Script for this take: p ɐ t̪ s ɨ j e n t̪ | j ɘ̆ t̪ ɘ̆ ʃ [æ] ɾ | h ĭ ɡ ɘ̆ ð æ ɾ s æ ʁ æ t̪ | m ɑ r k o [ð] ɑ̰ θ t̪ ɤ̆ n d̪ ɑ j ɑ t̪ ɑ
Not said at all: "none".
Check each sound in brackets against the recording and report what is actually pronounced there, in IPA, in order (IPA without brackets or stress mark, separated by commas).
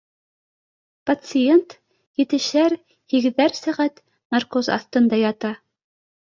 æ, z